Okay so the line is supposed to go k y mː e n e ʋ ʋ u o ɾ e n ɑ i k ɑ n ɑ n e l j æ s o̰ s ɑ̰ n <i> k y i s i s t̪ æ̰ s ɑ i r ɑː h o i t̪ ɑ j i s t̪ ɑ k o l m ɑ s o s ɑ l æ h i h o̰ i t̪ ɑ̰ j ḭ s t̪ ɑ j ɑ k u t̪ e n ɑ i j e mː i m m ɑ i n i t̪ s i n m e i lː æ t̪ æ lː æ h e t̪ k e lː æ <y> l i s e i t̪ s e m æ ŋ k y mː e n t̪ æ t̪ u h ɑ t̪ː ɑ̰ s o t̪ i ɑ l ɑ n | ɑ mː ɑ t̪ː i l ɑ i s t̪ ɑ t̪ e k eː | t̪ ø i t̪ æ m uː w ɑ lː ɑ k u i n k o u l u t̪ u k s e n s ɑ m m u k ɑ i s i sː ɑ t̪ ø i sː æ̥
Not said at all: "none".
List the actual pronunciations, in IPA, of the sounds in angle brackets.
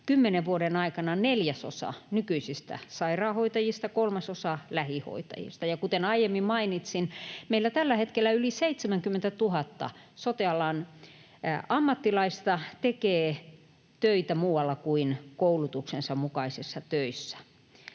y, y

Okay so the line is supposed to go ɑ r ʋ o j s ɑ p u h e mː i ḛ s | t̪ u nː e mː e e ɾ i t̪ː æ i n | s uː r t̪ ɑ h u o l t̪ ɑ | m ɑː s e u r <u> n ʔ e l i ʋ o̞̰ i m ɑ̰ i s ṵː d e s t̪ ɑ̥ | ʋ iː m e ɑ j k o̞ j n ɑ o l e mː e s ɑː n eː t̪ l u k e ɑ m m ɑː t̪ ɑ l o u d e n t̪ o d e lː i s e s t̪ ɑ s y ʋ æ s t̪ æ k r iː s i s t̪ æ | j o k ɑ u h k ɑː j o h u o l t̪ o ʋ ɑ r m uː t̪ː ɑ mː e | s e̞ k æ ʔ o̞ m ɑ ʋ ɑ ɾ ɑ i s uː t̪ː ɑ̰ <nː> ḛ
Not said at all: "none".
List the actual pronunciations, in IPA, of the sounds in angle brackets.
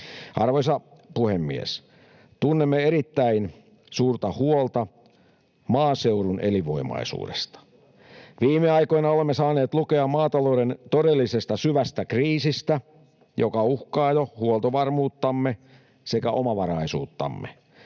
u, mː

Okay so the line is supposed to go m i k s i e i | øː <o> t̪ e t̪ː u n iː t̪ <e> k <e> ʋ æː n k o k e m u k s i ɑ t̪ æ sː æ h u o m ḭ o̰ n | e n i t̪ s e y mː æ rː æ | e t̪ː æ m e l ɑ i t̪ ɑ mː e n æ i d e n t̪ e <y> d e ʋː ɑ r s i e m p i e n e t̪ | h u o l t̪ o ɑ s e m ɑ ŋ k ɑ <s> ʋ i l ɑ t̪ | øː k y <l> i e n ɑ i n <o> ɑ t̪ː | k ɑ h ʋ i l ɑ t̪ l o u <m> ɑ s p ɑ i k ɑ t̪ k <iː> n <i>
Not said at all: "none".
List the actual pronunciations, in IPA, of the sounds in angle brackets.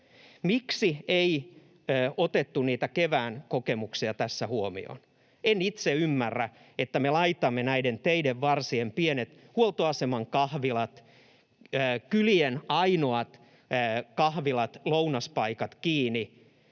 o, æ, e, i, h, l, o, n, iː, i

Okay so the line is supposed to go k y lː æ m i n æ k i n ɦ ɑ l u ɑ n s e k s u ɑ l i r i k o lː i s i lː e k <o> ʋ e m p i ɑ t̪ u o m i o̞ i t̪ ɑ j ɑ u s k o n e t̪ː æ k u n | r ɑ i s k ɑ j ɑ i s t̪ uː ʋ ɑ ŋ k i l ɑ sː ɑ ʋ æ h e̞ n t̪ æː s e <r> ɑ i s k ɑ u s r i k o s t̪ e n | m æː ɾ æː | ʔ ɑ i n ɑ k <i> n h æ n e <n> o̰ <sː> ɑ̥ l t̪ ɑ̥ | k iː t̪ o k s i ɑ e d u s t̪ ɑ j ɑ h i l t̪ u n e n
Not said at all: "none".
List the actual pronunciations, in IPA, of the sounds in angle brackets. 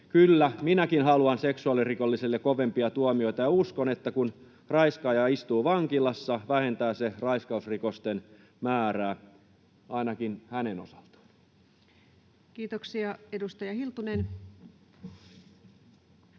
o, r, i, n, s

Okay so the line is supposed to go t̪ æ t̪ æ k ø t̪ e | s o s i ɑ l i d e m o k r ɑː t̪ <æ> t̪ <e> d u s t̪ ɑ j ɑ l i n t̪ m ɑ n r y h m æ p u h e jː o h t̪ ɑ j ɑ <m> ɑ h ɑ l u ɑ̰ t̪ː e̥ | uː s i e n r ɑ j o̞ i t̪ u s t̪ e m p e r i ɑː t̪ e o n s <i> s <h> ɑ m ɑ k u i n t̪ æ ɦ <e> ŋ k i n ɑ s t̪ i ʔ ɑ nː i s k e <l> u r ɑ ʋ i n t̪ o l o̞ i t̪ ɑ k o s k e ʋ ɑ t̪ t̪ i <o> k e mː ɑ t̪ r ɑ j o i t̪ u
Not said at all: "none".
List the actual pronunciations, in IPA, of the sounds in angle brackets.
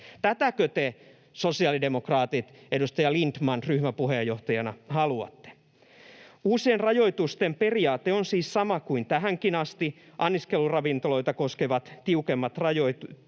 i, e, n, iː, s, æ, l, u

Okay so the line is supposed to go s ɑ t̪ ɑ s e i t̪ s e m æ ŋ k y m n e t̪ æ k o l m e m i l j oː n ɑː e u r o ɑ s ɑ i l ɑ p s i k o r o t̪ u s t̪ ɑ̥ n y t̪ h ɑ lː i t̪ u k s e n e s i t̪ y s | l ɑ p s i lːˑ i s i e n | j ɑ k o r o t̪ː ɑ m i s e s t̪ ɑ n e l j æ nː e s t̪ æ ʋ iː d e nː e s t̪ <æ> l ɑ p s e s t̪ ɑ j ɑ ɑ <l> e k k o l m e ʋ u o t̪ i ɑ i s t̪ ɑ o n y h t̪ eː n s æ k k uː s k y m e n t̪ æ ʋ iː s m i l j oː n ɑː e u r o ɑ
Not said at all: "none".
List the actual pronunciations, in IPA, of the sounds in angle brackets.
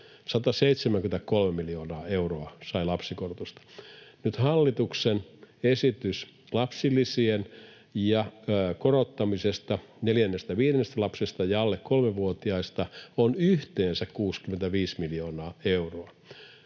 æ, lː

